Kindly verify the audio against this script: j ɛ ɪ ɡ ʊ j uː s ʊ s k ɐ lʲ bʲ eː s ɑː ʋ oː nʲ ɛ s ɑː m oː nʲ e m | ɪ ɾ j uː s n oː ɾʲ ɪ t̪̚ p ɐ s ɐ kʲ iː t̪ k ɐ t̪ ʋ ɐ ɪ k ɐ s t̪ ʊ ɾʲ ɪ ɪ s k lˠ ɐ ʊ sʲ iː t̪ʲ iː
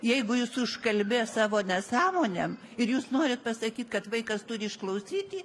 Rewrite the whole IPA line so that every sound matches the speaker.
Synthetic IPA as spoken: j ɛ ɪ ɡ ʊ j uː s ʊ ʃ k ɐ lʲ bʲ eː s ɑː ʋ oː nʲ ɛ s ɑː m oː nʲ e m | ɪ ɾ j uː s n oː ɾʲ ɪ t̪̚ p ɐ s ɐ kʲ iː t̪ k ɐ t̪ ʋ ɐ ɪ k ɐ s t̪ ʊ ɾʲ ɪ ɪ ʃ k lˠ ɐ ʊ sʲ iː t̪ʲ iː

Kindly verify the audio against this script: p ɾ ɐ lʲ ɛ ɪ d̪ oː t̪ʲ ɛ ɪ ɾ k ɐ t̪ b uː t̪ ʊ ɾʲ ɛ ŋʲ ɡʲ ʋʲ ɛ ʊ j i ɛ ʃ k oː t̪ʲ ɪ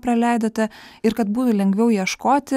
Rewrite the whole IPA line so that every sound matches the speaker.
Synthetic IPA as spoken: p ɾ ɐ lʲ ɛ ɪ d̪ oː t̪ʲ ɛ ɪ ɾ k ɐ t̪ b uː t̪ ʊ lʲ ɛ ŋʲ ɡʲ ʋʲ ɛ ʊ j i ɛ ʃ k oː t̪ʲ ɪ

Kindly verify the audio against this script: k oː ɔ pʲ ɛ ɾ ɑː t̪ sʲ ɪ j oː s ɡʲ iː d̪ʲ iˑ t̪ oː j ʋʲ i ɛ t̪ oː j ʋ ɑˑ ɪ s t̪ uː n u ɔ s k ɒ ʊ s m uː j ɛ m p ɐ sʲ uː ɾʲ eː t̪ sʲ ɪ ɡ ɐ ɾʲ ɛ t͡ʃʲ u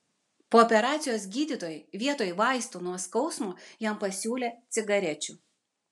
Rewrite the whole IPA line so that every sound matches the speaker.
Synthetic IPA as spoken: p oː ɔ pʲ ɛ ɾ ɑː t̪ sʲ ɪ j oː s ɡʲ iː d̪ʲ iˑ t̪ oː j ʋʲ i ɛ t̪ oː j ʋ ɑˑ ɪ s t̪ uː n u ɔ s k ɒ ʊ s m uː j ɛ m p ɐ sʲ uː lʲ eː t̪ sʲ ɪ ɡ ɐ ɾʲ ɛ t͡ʃʲ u

